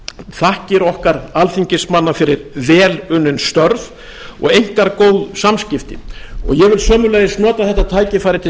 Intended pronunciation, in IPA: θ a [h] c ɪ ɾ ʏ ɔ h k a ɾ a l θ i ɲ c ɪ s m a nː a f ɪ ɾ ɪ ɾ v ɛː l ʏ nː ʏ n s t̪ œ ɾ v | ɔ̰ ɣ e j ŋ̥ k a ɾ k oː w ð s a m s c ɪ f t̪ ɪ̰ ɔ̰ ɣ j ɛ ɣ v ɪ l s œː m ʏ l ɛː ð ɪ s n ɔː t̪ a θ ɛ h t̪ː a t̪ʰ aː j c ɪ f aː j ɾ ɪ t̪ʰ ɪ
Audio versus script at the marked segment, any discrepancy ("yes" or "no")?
no